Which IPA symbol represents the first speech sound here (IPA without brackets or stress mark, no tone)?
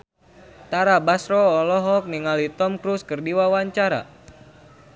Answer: t̪